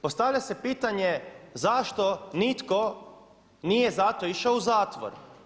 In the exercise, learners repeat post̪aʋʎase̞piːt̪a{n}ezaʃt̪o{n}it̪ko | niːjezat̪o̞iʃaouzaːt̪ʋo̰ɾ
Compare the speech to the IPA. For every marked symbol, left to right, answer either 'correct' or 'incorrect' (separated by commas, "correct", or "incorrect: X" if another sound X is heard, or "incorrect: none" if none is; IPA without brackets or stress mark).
incorrect: ɲ, correct